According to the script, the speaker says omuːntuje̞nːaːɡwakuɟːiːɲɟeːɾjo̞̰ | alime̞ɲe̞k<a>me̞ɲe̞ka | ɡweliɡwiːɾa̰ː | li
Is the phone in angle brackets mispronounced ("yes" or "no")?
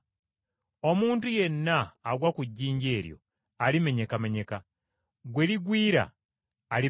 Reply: no